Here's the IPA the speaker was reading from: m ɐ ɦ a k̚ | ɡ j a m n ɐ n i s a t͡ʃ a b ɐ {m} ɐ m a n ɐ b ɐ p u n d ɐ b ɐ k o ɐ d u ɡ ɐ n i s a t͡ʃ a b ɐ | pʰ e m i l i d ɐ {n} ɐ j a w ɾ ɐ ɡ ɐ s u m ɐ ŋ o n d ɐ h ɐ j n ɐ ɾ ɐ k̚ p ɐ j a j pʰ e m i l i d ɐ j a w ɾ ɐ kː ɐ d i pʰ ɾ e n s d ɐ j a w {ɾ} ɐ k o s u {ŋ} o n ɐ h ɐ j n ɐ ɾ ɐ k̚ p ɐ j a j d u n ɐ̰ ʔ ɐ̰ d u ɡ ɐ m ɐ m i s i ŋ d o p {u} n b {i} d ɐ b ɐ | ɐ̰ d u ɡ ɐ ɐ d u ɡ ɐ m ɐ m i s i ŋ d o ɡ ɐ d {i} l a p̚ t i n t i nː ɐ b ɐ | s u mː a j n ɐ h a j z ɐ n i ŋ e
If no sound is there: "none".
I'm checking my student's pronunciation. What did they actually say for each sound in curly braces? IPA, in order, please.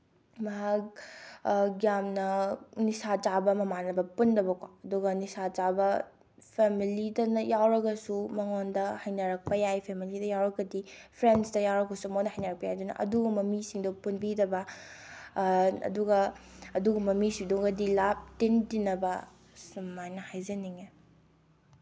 m, n, ɾ, m, u, i, i

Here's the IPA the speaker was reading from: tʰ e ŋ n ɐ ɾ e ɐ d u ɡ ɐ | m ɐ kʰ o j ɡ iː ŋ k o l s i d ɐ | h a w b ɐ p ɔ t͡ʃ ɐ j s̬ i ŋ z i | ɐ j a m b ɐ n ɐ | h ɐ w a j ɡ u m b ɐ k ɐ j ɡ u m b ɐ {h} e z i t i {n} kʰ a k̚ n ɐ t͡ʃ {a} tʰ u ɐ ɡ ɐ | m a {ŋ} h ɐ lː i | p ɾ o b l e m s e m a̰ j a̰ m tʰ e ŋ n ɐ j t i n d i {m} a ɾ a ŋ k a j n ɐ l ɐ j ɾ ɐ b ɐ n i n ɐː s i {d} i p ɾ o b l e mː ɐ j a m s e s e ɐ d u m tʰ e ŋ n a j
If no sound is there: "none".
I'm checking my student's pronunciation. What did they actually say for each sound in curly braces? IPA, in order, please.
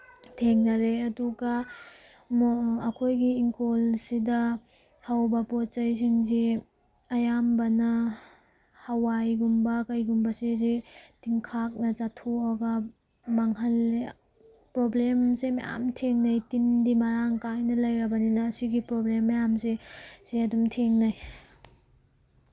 s, ŋ, a, ŋ, m, ɡ

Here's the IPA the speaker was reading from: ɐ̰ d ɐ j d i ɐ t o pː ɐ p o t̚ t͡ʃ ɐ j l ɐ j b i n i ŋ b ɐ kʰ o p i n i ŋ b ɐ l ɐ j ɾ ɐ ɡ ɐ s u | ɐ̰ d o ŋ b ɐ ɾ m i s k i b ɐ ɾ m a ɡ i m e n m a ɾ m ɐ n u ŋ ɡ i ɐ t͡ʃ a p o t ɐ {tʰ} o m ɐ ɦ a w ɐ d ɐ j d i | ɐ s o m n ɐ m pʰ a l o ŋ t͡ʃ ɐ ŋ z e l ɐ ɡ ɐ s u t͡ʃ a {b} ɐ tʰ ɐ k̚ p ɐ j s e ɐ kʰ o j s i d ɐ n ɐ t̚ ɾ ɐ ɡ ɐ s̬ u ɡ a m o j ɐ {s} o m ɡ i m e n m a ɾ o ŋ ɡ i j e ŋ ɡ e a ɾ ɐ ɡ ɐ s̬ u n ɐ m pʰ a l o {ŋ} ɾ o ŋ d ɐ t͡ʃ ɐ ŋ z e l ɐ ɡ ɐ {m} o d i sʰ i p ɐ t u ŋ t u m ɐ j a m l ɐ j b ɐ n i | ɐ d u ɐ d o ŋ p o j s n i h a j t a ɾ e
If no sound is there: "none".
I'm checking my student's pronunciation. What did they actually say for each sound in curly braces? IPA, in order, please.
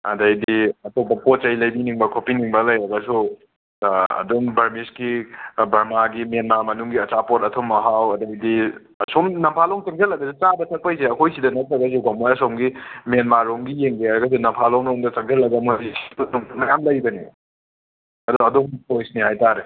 tʰ, b, s, ŋ, m

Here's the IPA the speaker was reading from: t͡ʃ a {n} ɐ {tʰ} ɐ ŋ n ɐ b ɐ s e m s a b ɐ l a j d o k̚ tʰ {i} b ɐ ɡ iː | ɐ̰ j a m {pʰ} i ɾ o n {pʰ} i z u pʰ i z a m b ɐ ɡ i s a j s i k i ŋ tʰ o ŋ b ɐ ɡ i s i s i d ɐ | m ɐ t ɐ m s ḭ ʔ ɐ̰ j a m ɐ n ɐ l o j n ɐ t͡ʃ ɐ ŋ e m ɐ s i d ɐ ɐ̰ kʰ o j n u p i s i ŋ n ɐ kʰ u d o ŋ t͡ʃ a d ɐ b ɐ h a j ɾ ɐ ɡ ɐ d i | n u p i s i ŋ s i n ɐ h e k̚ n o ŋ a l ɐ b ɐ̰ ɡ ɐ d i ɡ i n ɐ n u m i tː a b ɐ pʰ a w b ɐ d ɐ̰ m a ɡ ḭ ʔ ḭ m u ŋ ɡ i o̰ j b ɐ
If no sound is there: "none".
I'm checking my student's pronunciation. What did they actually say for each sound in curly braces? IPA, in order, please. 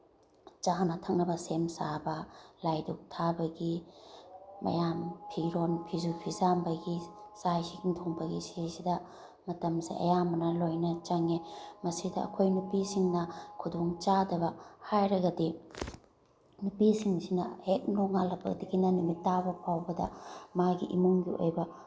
n, tʰ, a, pʰ, pʰ

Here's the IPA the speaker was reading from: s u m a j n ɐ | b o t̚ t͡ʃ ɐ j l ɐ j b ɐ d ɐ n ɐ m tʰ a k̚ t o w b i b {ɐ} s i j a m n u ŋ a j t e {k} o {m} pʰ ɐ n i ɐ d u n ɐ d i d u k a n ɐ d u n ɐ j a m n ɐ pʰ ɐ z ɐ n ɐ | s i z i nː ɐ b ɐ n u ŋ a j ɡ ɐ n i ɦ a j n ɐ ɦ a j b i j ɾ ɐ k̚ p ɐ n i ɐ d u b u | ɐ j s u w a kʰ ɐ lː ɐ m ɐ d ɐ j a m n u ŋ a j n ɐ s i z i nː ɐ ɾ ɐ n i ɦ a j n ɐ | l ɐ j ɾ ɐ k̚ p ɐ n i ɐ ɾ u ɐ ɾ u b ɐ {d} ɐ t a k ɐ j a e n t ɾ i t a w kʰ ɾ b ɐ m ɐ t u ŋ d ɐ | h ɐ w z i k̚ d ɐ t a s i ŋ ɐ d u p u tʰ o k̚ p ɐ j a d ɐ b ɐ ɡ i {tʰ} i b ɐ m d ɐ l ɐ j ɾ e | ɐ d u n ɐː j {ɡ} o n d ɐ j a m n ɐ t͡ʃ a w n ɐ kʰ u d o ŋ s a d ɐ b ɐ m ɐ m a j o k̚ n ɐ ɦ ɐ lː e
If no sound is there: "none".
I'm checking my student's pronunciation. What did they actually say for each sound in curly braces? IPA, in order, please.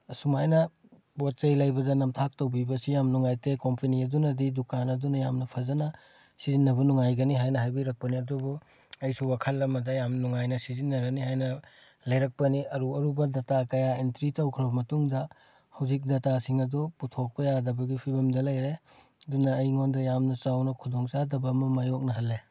ɐ, k, m, d, pʰ, ŋ

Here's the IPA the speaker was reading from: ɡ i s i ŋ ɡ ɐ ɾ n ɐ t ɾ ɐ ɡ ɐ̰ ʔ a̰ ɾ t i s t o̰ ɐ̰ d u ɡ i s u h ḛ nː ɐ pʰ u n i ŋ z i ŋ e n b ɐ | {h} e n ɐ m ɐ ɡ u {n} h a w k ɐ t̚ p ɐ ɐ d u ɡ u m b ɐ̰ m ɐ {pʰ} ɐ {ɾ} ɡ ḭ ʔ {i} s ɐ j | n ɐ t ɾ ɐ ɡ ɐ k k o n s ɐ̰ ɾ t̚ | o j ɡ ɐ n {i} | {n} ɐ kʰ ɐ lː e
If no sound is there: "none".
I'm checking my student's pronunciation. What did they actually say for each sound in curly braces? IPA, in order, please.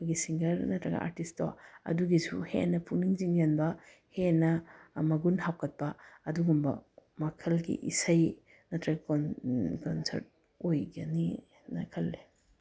h, n, kʰ, l, i, i, n

